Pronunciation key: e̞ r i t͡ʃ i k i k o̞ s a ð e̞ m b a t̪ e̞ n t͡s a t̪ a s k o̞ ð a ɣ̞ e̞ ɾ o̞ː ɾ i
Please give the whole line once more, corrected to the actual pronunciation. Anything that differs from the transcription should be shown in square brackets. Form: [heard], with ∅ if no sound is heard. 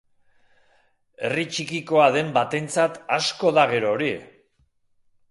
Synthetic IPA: e̞ r i t͡ʃ i k i k o̞ [∅] a ð e̞ m b a t̪ e̞ n t͡s a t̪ a s k o̞ ð a ɣ̞ e̞ ɾ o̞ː ɾ i

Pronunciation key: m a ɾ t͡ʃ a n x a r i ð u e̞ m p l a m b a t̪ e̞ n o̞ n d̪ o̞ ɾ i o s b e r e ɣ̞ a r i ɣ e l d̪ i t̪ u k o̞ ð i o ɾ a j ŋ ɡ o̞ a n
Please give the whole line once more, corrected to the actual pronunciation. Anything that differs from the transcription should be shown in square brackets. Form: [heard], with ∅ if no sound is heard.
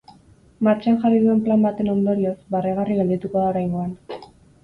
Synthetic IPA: m a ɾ t͡ʃ a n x a r i ð u e̞ m p l a m b a t̪ e̞ n o̞ n d̪ o̞ ɾ i o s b [a] r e ɣ̞ a r i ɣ e l d̪ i t̪ u k o̞ ð [a] o ɾ a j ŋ ɡ o̞ a n

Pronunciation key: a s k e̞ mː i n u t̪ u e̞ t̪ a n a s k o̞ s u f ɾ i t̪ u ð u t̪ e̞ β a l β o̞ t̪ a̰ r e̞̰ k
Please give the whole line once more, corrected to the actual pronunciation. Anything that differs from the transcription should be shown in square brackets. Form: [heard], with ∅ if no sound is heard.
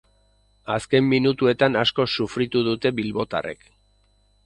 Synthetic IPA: a s k e̞ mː i n u t̪ u e̞ t̪ a n a s k o̞ s u f ɾ i t̪ u ð u t̪ e̞ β [i] l β o̞ t̪ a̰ r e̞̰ k

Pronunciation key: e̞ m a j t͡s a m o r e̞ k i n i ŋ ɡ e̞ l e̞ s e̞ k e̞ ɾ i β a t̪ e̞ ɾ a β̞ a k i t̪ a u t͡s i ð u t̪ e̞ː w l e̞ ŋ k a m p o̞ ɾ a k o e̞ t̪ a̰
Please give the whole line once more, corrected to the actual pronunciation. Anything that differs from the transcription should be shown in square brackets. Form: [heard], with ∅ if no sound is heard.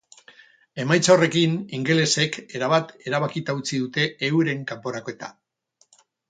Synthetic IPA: e̞ m a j t͡s a [∅] o r e̞ k i n i ŋ ɡ e̞ l e̞ s e̞ k e̞ ɾ [a] β a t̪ e̞ ɾ a β̞ a k i t̪ a u t͡s i ð u t̪ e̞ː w [ɾ] e̞ ŋ k a m p o̞ ɾ a k o e̞ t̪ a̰

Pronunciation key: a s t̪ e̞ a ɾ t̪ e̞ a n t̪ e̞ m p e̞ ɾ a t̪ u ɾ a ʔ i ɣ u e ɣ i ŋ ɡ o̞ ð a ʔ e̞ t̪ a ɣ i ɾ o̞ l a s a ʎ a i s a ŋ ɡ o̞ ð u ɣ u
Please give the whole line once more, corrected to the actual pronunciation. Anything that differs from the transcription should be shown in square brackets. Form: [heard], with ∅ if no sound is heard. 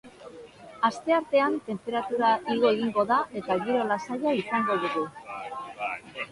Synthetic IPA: a s t̪ e̞ a ɾ t̪ e̞ a n t̪ e̞ m p e̞ ɾ a t̪ u ɾ a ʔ i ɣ [o] e ɣ i ŋ ɡ o̞ ð a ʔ e̞ t̪ a ɣ i ɾ o̞ l a s a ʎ a i s a ŋ ɡ o̞ ð u ɣ u

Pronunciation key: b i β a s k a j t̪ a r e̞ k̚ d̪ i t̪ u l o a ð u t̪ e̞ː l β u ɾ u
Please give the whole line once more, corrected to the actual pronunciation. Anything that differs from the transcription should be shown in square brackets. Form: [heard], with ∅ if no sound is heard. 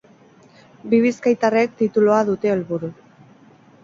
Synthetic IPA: b i β [i] s k a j t̪ a r e̞ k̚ [t̪] i t̪ u l o a ð u t̪ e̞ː l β u ɾ u

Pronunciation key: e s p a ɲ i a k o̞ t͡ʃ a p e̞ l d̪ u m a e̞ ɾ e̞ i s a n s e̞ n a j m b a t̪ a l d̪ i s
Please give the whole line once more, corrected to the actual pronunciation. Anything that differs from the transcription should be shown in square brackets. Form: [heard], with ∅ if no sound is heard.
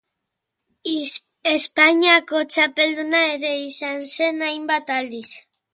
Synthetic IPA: e s p a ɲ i a k o̞ t͡ʃ a p e̞ l d̪ u [n] a e̞ ɾ e̞ i s a n s e̞ n a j m b a t̪ a l d̪ i s

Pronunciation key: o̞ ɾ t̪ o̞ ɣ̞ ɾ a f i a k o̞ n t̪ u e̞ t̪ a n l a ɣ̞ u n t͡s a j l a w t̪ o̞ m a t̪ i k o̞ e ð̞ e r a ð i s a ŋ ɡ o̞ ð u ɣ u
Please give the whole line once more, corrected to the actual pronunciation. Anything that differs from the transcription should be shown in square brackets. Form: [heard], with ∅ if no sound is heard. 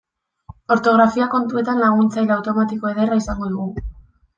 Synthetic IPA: o̞ ɾ t̪ o̞ ɣ̞ ɾ a f i a k o̞ n t̪ u e̞ t̪ a n l a ɣ̞ u n t͡s a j l a w t̪ o̞ m a t̪ i k o̞ e ð̞ e r a [∅] i s a ŋ ɡ o̞ ð u ɣ u

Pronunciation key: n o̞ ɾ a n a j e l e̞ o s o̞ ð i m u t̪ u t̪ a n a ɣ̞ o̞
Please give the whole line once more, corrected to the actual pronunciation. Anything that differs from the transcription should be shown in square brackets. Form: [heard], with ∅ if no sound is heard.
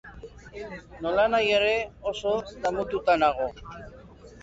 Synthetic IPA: n o̞ [l] a n a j e [ɾ] e̞ o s o̞ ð [a] m u t̪ u t̪ a n a ɣ̞ o̞

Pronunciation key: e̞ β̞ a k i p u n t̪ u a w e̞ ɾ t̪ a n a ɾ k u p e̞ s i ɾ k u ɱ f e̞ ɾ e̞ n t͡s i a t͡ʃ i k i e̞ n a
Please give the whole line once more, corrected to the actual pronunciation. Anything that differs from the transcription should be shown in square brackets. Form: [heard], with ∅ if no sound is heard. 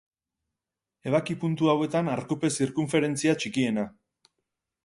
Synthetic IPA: e̞ β̞ a k i p u n t̪ u a w e̞ [∅] t̪ a n a ɾ k u p e̞ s i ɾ k u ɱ f e̞ ɾ e̞ n t͡s i a t͡ʃ i k i e̞ n a

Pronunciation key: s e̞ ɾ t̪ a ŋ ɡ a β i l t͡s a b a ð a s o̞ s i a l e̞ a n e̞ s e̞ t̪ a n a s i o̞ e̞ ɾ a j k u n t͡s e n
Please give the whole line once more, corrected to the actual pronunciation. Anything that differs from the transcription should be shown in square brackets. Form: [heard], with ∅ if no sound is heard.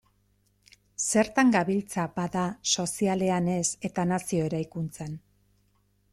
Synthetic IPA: s e̞ ɾ t̪ a ŋ ɡ a β i l t͡s a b a ð a s o̞ s i a l e̞ a n e̞ s e̞ t̪ a n a s i o̞ e̞ ɾ a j k u n t͡s e n

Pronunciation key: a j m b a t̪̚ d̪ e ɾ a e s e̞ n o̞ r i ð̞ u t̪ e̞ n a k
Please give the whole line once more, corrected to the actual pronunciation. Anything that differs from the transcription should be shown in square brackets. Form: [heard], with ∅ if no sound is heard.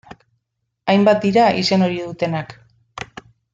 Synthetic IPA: a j m b a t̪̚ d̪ [i] ɾ a [i] s e̞ n o̞ [ɾ] i ð̞ u t̪ e̞ n a k

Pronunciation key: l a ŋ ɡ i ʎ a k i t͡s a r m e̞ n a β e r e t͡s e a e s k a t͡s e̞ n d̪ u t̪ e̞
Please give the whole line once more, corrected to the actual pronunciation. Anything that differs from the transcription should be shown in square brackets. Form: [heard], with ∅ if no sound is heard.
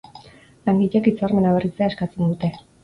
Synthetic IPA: l a ŋ ɡ i ʎ [e] k i t͡s a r m e̞ n a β e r [i] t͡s e a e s k a t͡s e̞ n d̪ u t̪ e̞

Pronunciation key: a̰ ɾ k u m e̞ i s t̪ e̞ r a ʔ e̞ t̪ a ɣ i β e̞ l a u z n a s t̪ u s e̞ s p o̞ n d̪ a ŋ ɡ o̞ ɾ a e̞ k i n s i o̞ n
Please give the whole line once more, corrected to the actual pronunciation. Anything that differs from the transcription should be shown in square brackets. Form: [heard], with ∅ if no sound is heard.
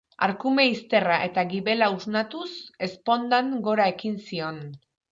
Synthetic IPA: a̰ ɾ k u m e̞ i s t̪ e̞ r a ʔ e̞ t̪ a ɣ i β e̞ l a u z n a [∅] t̪ u s e̞ s p o̞ n d̪ a ŋ ɡ o̞ ɾ a e̞ k i n s i o̞ n

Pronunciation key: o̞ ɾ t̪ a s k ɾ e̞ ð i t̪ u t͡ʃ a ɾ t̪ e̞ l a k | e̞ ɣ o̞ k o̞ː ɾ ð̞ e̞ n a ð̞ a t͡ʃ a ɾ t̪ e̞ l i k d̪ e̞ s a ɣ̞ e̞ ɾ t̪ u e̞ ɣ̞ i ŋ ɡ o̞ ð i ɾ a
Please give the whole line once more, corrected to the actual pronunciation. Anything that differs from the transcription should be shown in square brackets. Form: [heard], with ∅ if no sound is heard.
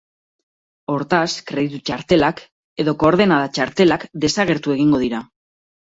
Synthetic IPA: o̞ ɾ t̪ a s k ɾ e̞ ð i t̪ u t͡ʃ a ɾ t̪ e̞ l a k | e̞ [ð] o̞ k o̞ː ɾ ð̞ e̞ n a ð̞ a t͡ʃ a ɾ t̪ e̞ l [a] k d̪ e̞ s a ɣ̞ e̞ ɾ t̪ u e̞ ɣ̞ i ŋ ɡ o̞ ð i ɾ a

